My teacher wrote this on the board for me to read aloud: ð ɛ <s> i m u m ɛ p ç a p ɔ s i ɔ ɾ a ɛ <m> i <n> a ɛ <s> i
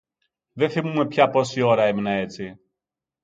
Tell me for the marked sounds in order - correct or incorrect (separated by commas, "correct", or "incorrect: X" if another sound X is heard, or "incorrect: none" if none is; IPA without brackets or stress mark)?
incorrect: θ, correct, correct, incorrect: t͡s